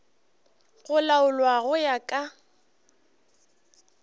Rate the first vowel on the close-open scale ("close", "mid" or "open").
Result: close